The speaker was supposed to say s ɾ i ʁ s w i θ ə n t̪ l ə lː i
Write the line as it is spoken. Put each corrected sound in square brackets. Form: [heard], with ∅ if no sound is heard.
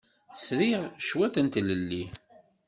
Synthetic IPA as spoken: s ɾ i ʁ [ʃ] w [æ] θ ə n t̪ l ə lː i